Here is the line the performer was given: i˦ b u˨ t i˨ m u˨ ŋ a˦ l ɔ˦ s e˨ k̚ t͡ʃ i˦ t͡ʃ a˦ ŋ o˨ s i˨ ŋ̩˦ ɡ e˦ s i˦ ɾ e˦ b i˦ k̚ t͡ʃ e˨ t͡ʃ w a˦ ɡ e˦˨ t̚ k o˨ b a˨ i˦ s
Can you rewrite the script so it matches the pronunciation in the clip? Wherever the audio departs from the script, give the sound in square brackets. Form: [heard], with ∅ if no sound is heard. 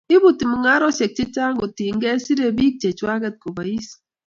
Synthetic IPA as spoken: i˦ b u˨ t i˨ m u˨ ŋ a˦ [ɾ] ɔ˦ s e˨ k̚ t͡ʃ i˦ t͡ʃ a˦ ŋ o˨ [t] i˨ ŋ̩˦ ɡ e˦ s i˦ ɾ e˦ b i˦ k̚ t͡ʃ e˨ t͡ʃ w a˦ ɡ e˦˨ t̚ k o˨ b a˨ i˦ s